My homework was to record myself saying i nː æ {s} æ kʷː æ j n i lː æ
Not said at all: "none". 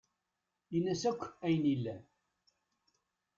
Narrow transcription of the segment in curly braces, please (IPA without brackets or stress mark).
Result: s